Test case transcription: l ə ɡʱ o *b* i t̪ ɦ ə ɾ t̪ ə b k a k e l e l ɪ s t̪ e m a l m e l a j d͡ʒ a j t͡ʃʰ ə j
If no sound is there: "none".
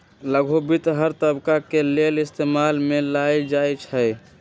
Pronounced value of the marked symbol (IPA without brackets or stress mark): b